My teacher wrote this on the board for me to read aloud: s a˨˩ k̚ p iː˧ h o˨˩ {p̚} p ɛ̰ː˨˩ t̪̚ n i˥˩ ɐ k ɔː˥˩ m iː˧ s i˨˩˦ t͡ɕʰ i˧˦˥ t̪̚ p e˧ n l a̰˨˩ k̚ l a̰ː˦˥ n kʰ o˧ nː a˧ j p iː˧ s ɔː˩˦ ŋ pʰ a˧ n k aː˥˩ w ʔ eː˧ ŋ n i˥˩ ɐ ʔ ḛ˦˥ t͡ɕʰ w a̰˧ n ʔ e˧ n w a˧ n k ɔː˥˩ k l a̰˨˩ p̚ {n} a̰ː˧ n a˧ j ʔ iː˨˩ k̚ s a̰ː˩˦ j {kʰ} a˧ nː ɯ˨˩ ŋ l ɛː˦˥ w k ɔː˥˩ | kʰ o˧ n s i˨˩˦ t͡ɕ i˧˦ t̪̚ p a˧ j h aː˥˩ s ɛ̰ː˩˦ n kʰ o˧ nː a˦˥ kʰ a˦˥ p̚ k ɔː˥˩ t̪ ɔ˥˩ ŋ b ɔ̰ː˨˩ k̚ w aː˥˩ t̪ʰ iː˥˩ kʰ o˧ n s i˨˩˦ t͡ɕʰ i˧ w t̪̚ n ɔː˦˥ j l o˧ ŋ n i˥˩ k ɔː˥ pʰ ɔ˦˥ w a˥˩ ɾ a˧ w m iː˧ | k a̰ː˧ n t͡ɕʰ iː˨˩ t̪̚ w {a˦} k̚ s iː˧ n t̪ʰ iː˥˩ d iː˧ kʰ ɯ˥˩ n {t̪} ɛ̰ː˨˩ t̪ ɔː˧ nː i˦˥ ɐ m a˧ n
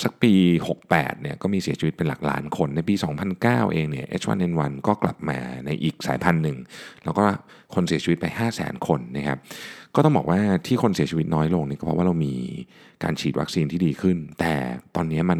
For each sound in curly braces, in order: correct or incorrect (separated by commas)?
incorrect, incorrect, incorrect, correct, correct